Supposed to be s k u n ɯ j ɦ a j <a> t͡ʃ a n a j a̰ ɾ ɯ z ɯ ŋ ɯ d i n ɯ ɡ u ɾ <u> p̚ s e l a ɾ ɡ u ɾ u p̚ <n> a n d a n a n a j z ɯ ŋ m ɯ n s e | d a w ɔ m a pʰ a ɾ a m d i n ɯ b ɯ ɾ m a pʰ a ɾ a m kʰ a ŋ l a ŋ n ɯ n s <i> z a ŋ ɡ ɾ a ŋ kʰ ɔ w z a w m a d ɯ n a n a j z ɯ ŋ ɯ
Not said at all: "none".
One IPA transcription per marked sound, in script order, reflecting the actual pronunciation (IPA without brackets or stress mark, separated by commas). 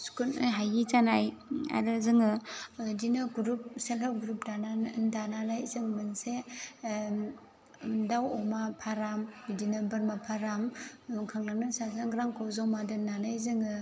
i, u, d, a